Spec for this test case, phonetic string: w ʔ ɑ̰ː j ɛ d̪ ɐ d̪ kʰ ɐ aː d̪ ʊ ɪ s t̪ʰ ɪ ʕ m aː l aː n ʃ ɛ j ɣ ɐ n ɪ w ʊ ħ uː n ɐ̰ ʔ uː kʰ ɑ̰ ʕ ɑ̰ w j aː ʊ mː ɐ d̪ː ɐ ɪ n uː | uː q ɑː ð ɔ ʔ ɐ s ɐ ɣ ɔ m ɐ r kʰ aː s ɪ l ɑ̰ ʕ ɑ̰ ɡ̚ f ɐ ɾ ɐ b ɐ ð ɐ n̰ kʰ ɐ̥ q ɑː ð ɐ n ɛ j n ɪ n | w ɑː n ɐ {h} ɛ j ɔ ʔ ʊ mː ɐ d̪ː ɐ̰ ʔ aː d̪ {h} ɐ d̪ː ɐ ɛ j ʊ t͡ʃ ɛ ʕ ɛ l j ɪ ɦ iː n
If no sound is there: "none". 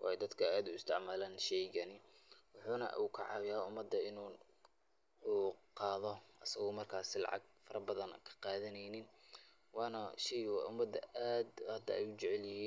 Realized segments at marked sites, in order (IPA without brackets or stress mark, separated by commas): ʃ, h